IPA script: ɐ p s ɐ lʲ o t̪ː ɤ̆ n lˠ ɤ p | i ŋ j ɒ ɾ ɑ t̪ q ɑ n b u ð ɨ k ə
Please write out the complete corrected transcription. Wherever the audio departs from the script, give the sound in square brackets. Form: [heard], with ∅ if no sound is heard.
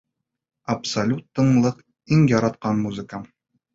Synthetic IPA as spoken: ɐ p s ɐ lʲ [u] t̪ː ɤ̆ [ɴ] lˠ ɤ [q] | i ŋ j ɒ ɾ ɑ t̪ q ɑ n [m] u [z] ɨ k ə